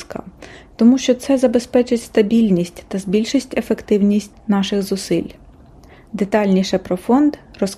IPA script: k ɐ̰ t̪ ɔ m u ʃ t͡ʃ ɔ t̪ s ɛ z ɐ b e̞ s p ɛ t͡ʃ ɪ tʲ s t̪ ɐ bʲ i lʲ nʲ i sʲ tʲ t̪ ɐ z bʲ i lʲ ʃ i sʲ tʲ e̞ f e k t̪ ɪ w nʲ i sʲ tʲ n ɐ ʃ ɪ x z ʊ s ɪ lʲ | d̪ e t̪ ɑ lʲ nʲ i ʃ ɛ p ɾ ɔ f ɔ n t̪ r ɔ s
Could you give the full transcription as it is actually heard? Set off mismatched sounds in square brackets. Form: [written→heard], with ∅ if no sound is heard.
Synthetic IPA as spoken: k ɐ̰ t̪ ɔ m u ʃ t͡ʃ ɔ t̪ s ɛ z ɐ b e̞ s p ɛ t͡ʃ ɪ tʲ s t̪ ɐ bʲ i lʲ nʲ i sʲ tʲ t̪ ɐ z bʲ i lʲ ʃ i sʲ tʲ e̞ f e k t̪ ɪ w nʲ i sʲ tʲ n [ɐ→ɑ] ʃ ɪ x z ʊ s ɪ lʲ | d̪ e t̪ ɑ lʲ nʲ i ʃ ɛ p ɾ ɔ f ɔ n [t̪→d̪] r ɔ s